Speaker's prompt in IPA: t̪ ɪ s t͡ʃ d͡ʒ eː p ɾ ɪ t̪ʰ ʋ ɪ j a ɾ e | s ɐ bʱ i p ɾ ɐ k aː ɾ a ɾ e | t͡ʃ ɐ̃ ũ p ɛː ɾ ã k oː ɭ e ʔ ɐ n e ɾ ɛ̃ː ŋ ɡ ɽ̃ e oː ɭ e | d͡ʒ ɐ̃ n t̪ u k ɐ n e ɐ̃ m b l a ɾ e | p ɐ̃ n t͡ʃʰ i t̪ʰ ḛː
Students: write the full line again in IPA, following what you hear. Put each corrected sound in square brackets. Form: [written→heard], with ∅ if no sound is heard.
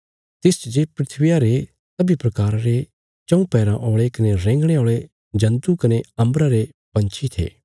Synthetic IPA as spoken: t̪ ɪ s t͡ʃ d͡ʒ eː p ɾ ɪ t̪ʰ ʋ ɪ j a ɾ e | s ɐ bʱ i p ɾ ɐ k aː ɾ a ɾ e | t͡ʃ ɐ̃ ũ p ɛː ɾ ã [k→ʔ] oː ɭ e [ʔ→k] ɐ n e ɾ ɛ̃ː ŋ ɡ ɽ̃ e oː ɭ e | d͡ʒ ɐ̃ n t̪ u k ɐ n e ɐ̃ m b [l→ɾ] a ɾ e | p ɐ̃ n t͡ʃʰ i t̪ʰ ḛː